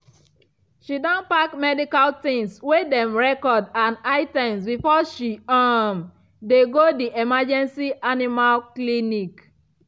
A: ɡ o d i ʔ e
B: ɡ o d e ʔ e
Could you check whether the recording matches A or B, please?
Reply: A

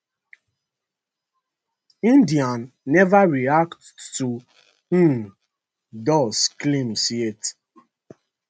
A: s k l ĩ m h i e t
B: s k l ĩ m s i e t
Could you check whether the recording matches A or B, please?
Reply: B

